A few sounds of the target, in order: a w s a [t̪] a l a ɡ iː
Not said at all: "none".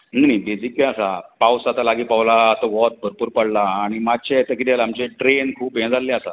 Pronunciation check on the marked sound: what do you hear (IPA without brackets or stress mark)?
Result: t̪